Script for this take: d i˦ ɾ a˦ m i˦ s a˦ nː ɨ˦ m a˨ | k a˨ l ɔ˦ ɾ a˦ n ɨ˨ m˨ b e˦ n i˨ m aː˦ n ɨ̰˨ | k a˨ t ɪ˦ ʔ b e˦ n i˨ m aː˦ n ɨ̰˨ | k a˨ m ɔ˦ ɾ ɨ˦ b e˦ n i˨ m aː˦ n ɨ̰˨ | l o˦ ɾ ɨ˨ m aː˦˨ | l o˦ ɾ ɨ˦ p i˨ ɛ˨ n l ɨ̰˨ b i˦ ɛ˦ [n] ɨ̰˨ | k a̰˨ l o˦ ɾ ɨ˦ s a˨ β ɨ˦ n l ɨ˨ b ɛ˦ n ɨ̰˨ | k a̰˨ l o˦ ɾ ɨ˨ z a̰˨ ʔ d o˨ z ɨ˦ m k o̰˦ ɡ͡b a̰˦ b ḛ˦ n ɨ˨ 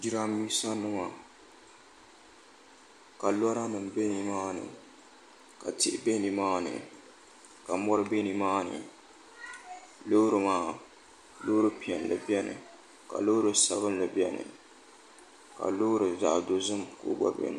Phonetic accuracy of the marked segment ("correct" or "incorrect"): correct